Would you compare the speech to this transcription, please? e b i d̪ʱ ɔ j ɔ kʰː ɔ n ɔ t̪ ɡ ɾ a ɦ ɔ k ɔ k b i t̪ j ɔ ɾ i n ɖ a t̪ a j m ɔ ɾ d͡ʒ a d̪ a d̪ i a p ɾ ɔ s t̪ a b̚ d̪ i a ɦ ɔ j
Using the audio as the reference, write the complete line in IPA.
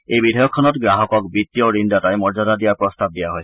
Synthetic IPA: e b i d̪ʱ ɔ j ɔ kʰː ɔ n ɔ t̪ ɡ ɾ a ɦ ɔ k ɔ k b i t̪ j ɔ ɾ i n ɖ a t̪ a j m ɔ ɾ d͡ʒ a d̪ a d̪ i a p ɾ ɔ s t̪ a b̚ d̪ i a ɦ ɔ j